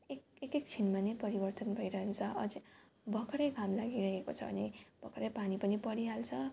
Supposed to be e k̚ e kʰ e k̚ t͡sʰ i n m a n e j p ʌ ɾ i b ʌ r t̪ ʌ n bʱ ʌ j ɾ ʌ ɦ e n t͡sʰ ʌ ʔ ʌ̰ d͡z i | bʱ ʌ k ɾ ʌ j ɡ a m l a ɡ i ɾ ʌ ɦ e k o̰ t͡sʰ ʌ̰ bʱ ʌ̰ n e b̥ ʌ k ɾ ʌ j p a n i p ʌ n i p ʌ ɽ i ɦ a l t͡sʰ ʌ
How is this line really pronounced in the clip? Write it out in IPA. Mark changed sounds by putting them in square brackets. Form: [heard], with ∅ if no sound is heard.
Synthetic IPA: e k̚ e [k] e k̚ t͡sʰ i n m a n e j p ʌ ɾ i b ʌ r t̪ ʌ n bʱ ʌ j ɾ ʌ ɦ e n t͡sʰ ʌ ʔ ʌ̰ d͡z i | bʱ ʌ k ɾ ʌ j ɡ a m l a ɡ i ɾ ʌ ɦ e k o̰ t͡sʰ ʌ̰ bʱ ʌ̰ n e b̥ ʌ k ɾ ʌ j p a n i p ʌ n i p ʌ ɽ i ɦ a l t͡sʰ ʌ